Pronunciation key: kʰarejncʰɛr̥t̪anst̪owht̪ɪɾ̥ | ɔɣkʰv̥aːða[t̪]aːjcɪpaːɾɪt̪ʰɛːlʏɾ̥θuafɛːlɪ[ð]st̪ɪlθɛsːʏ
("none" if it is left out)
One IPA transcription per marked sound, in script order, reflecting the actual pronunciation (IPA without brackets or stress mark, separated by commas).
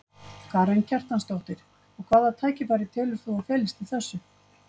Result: t̪ʰ, none